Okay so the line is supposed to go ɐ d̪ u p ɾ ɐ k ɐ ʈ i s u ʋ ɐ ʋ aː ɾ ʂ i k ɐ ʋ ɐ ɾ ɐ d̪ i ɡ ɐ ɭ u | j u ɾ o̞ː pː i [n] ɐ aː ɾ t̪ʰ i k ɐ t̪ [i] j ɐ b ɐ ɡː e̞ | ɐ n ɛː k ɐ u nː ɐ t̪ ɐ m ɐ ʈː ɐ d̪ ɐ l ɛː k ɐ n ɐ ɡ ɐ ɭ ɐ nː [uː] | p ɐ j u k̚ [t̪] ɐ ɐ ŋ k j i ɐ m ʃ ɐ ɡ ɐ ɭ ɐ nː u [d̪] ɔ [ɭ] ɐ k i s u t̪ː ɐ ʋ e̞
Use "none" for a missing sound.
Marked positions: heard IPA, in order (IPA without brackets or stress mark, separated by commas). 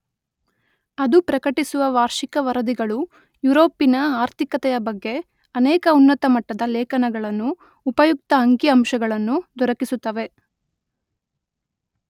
n, ɛ, uː, t̪, d̪, ɾ